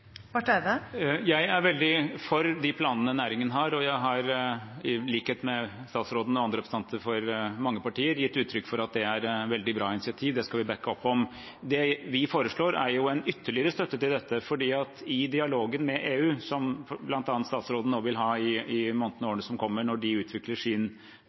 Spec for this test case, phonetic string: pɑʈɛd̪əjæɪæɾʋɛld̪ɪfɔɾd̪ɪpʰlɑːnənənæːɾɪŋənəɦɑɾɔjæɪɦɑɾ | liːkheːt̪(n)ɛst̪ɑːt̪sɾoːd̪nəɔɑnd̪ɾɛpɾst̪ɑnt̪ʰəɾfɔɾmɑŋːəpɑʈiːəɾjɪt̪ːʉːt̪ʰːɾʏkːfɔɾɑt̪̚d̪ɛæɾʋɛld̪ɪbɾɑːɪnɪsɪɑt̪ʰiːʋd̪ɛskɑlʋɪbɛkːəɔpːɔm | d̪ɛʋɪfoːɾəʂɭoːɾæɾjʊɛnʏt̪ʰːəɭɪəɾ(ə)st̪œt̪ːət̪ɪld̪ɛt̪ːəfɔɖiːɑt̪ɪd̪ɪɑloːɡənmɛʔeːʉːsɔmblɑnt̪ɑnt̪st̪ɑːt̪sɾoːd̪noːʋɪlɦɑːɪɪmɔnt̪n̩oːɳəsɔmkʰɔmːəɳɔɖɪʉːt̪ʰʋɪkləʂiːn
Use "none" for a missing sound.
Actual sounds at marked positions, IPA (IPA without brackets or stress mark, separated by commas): m, ə